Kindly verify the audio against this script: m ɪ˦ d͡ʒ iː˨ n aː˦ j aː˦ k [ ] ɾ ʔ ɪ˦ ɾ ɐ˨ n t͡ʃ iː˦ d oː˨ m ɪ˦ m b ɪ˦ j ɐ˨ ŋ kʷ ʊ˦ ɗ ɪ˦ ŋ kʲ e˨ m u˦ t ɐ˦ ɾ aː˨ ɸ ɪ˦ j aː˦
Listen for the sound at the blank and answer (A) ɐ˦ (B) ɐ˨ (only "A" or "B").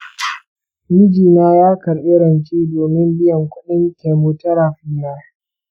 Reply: B